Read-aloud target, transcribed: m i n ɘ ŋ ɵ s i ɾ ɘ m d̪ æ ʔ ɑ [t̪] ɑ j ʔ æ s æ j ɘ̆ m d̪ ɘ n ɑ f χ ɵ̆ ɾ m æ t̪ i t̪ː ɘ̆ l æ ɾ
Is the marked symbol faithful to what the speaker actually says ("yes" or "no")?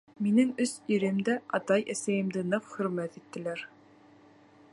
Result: yes